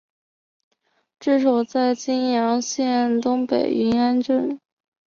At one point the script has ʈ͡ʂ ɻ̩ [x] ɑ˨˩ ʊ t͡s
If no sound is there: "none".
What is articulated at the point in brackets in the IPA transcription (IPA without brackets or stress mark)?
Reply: ʂ